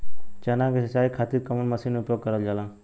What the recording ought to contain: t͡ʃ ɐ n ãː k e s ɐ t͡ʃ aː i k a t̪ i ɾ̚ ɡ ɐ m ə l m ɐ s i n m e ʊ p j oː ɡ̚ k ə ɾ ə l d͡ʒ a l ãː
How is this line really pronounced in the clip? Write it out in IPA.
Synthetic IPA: t͡ʃ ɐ n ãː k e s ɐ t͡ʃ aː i kʰ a t̪ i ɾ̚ k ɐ m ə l m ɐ s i n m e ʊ p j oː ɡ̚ k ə ɾ ə l d͡ʒ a l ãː